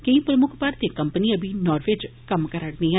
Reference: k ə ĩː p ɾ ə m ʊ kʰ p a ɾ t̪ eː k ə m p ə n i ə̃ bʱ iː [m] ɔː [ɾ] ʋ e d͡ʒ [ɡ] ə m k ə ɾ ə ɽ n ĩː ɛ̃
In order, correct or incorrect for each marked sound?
incorrect, correct, incorrect

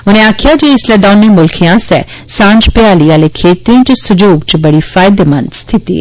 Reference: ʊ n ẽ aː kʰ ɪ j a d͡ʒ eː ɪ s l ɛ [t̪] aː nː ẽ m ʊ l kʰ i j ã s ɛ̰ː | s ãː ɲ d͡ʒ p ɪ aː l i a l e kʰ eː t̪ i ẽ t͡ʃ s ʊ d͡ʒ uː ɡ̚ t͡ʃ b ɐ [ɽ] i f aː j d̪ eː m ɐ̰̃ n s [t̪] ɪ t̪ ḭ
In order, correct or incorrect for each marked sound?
incorrect, correct, incorrect

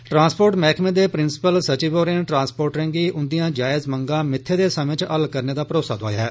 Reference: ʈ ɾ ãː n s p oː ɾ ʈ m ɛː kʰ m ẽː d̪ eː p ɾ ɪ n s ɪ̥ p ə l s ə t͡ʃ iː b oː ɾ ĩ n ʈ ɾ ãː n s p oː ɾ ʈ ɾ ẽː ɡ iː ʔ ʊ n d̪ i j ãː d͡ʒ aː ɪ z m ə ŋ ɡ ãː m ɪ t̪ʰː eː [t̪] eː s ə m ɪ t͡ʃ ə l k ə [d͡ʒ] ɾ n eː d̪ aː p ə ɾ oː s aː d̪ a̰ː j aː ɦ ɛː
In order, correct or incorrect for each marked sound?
incorrect, incorrect

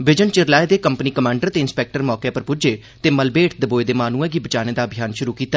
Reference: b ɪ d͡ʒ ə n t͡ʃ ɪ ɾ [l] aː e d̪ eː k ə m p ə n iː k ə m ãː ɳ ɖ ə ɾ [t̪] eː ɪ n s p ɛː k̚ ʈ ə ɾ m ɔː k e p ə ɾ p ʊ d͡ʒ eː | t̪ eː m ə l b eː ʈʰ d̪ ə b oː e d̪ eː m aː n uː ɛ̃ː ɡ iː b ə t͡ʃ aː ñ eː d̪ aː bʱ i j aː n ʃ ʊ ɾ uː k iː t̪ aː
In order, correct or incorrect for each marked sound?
correct, correct

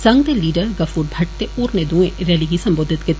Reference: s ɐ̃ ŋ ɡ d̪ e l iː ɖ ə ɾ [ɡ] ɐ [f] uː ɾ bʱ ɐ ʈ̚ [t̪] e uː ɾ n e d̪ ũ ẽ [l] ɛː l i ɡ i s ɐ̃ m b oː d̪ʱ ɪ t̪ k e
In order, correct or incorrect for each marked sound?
correct, correct, correct, incorrect

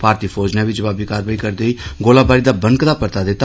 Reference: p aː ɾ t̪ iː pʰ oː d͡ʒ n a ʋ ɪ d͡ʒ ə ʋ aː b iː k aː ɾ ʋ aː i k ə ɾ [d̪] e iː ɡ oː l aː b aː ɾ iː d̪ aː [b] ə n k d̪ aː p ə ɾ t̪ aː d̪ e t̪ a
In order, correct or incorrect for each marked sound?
correct, correct

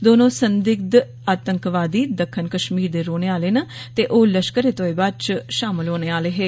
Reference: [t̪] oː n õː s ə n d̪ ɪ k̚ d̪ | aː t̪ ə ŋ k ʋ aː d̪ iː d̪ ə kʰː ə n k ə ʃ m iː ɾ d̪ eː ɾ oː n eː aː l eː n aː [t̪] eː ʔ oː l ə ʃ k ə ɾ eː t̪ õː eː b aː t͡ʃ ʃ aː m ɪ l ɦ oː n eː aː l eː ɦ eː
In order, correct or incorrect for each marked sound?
incorrect, correct

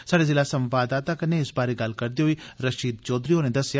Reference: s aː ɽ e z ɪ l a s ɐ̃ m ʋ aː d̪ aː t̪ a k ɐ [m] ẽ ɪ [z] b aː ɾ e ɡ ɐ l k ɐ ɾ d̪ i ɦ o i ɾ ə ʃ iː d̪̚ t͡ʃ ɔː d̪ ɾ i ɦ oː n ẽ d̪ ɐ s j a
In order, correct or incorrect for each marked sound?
incorrect, incorrect

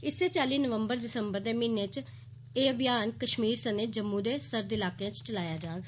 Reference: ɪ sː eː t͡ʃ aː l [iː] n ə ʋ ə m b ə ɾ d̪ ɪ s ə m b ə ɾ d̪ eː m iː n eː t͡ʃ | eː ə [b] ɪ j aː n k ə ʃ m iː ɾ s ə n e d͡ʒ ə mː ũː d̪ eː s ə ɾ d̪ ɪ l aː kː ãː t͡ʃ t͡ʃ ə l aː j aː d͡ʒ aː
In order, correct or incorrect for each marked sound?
correct, correct

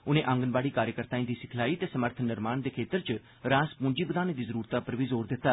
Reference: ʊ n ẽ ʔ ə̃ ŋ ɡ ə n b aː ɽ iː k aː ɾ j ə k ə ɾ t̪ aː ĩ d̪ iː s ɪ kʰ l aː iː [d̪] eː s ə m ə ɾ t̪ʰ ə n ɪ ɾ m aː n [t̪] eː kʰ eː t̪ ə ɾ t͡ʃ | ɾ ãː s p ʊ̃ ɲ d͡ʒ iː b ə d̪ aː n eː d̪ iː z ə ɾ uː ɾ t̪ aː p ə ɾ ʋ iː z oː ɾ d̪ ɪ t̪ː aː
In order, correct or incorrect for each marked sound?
incorrect, incorrect

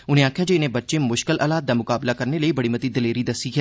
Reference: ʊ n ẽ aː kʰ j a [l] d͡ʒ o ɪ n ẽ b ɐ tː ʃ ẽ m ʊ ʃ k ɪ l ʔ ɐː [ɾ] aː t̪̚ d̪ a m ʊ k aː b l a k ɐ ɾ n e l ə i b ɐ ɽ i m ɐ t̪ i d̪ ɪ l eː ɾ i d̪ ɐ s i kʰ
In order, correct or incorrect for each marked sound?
incorrect, incorrect

